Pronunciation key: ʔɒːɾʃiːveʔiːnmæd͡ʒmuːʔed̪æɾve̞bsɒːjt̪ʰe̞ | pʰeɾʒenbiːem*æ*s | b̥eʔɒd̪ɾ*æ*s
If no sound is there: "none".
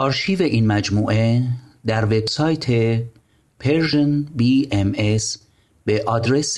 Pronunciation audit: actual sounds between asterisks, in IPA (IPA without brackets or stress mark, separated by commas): e, e